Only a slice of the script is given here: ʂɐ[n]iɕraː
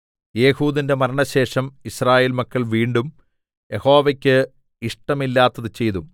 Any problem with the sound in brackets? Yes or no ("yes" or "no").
yes